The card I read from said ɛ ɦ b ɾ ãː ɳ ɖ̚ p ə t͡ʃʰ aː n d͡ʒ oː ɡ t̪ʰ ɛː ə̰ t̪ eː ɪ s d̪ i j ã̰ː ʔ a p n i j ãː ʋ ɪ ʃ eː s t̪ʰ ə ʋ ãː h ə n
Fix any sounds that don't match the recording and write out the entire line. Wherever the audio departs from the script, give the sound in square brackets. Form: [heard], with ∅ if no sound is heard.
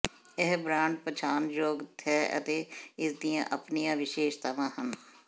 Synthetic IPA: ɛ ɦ b ɾ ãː ɳ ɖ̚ p ə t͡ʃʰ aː n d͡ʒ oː ɡ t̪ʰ ɛː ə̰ t̪ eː ɪ s d̪ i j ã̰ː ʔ [ə] p n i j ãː ʋ ɪ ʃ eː [ʃ] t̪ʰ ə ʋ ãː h ə n